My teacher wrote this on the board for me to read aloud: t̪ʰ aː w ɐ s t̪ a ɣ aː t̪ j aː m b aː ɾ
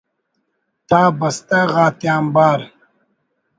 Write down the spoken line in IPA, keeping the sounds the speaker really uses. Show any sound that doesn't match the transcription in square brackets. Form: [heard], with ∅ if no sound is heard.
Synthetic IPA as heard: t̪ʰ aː [b] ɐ s t̪ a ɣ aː t̪ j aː m b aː ɾ

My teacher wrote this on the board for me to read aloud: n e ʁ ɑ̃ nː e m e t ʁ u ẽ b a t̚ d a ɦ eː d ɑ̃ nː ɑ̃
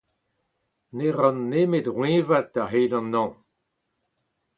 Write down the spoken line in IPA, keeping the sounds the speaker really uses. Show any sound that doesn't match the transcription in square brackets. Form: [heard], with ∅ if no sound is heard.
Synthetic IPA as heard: n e ʁ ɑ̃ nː e m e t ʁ [w] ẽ [v] a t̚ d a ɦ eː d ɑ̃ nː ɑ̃

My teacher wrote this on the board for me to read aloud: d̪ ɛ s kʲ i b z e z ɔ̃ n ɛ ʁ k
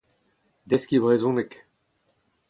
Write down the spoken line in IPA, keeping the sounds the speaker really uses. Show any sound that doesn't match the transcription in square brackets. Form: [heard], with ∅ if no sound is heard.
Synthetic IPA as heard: d̪ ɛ s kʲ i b [ʁ] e z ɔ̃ n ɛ [∅] k

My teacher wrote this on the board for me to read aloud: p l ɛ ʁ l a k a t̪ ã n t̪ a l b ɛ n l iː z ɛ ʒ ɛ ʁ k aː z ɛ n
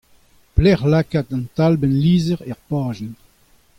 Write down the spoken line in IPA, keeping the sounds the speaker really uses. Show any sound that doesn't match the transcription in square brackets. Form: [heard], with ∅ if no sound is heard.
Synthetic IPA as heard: p l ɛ ʁ l a k a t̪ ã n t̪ a l b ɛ n l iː z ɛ [ʁ] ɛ ʁ [p] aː [ʒ] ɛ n

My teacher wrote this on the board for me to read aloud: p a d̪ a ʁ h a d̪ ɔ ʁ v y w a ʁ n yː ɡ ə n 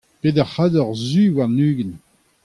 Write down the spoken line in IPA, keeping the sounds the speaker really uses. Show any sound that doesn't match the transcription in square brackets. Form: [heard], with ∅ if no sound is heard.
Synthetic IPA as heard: p [e] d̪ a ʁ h a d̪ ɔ ʁ [z] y w a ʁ n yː ɡ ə n

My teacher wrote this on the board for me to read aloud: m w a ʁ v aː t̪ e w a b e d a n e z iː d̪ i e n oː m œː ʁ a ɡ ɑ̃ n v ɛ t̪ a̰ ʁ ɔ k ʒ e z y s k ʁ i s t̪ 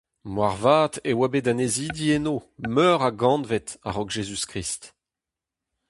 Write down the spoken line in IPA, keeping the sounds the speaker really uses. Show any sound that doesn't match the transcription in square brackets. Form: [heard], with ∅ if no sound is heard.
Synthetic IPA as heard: m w a ʁ v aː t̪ e w a b e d a n e z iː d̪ i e n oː m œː ʁ a ɡ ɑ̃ n v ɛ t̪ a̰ ʁ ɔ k ʒ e z y s k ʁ i s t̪

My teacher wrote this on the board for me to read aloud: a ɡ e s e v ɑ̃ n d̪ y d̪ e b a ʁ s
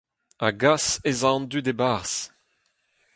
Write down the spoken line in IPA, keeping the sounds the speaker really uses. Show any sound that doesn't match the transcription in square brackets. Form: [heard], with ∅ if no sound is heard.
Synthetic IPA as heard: a ɡ [a] s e [z] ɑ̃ n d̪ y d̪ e b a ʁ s

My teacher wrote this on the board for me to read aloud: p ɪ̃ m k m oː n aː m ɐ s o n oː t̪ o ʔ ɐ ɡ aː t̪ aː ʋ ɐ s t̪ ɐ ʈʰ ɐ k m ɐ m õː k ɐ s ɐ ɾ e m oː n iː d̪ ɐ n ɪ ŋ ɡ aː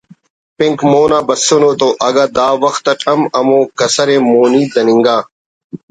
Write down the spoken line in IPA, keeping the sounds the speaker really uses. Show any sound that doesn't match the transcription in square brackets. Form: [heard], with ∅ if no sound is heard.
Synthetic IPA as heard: p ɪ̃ [ŋ] k m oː n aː [b] ɐ s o n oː t̪ o ʔ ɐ ɡ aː [d̪] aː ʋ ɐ [x] t̪ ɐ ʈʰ ɐ [∅] m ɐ m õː k ɐ s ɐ ɾ e m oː n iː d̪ ɐ n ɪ ŋ ɡ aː

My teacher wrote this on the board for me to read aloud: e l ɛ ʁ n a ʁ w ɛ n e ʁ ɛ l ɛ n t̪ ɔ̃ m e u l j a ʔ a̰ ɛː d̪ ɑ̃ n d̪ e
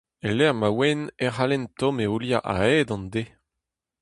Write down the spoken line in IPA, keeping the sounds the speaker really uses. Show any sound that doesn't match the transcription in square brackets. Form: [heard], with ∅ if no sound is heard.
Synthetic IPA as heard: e l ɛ ʁ [m] a [∅] w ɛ n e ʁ [a] l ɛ n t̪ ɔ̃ m e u l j a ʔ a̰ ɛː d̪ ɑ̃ n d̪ e

